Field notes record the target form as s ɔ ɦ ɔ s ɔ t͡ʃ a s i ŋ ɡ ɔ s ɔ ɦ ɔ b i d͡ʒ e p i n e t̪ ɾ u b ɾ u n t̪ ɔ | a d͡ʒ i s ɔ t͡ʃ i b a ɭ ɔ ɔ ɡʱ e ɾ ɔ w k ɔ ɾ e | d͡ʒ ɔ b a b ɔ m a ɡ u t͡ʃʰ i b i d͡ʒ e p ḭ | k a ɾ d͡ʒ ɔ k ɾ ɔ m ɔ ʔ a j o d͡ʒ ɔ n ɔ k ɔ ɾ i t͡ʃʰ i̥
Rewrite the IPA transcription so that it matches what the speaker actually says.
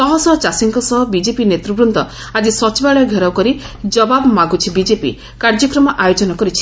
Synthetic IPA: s ɔ ɦ ɔ s ɔ t͡ʃ a s i ŋ k ɔ s ɔ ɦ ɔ b i d͡ʒ e p i n e t̪ ɾ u b ɾ u n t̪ ɔ | a d͡ʒ i s ɔ t͡ʃ i b a ɭ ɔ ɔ ɡʱ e ɾ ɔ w k ɔ ɾ i | d͡ʒ ɔ b a b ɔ m a ɡ u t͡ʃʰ i b i d͡ʒ e p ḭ | k a ɾ d͡ʒ ɔ k ɾ ɔ m ɔ ʔ a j o d͡ʒ ɔ n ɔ k ɔ ɾ i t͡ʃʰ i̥